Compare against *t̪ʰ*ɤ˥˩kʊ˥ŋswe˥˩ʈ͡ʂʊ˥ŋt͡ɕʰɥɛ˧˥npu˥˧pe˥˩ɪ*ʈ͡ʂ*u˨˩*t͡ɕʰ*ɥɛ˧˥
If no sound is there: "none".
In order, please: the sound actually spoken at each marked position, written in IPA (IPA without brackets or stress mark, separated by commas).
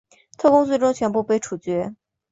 t̪ʰ, ʈ͡ʂʰ, t͡ɕ